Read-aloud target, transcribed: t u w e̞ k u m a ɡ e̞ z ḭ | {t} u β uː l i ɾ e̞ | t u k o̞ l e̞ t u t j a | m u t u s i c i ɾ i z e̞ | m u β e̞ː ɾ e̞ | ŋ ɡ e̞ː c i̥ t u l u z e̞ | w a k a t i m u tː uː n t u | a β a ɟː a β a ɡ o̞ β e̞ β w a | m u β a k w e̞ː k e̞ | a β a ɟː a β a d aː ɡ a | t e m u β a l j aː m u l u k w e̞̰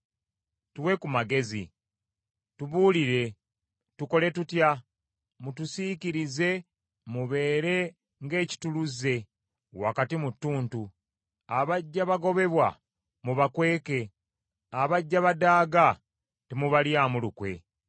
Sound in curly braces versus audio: correct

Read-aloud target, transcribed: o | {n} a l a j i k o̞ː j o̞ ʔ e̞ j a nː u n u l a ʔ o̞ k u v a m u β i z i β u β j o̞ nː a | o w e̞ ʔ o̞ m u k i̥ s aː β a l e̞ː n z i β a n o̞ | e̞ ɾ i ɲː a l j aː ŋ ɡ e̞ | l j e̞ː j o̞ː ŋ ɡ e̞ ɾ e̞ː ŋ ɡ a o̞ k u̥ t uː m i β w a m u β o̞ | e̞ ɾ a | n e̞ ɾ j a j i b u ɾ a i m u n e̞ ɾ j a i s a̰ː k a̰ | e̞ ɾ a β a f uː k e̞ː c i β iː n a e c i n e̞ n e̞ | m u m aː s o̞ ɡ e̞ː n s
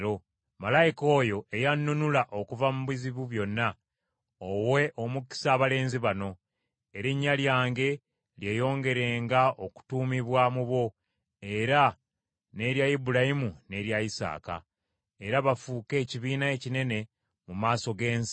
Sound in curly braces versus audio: incorrect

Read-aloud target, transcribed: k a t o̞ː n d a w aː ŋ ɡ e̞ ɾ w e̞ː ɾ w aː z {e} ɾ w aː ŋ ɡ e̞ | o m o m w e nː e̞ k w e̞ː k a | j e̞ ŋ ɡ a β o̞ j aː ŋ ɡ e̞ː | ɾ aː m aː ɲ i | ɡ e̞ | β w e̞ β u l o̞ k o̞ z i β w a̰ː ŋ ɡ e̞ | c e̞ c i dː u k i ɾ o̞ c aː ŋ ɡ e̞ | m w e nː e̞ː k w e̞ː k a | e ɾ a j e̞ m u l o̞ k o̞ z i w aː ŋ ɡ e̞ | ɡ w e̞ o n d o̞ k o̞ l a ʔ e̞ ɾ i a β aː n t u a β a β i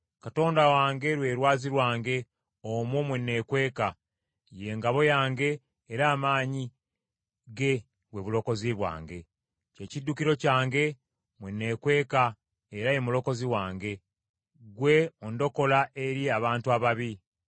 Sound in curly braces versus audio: incorrect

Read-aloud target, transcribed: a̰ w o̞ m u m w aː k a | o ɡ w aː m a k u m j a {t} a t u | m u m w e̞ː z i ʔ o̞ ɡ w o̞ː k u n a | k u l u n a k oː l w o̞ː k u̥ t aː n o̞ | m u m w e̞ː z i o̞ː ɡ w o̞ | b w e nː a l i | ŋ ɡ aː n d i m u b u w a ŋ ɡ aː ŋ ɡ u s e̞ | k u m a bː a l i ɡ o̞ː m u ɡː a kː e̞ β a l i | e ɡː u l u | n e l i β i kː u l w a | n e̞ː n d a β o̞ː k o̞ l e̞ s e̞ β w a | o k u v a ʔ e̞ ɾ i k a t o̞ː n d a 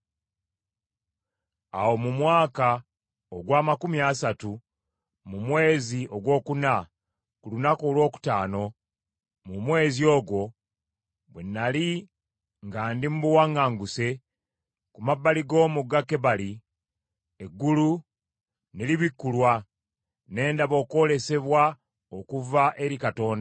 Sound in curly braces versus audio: incorrect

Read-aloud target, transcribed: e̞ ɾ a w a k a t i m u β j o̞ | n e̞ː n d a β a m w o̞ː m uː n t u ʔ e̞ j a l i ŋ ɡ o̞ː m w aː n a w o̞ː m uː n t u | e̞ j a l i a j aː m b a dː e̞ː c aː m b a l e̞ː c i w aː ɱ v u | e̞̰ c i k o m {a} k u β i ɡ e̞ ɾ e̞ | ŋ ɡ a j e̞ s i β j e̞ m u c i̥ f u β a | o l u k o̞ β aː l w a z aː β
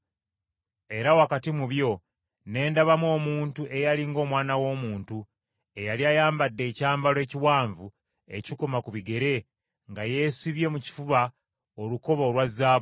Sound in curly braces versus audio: correct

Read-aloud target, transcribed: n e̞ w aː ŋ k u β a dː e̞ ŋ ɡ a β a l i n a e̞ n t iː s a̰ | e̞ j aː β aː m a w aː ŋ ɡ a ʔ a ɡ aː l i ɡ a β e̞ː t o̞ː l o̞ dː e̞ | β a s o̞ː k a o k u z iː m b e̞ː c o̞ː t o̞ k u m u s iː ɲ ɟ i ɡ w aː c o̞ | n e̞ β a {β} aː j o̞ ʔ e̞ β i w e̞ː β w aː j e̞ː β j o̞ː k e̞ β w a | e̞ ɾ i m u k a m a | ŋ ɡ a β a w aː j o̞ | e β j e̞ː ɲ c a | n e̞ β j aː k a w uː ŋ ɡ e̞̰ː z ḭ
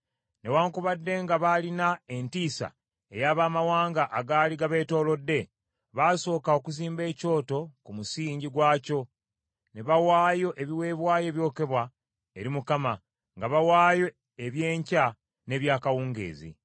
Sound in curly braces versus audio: incorrect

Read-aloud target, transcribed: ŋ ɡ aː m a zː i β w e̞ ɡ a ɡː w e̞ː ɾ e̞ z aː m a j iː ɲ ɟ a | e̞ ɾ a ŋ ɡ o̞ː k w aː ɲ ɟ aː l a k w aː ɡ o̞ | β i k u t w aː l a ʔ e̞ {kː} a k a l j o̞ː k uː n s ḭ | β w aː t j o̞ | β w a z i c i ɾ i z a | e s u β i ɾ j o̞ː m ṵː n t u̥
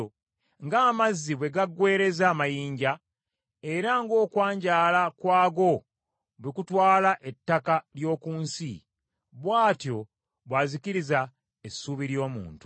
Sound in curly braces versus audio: incorrect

